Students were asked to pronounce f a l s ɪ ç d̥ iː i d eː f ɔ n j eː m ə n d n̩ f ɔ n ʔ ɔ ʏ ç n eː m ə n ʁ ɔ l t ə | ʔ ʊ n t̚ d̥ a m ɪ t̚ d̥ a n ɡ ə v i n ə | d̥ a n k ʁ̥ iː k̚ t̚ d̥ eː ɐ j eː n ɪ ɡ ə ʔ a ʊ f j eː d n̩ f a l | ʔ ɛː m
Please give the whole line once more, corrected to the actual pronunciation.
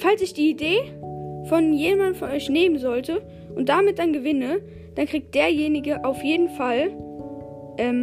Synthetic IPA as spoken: f a l s ɪ ç d̥ iː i d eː f ɔ n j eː m a n d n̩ f ɔ n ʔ ɔ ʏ ç n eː m ə n z ɔ l t ə | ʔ ʊ n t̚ d̥ a m ɪ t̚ d̥ a n ɡ ə v ɪ n ə | d̥ a n k ʁ̥ iː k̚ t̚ d̥ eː ɐ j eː n ɪ ɡ ə ʔ a ʊ f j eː d n̩ f a l | ʔ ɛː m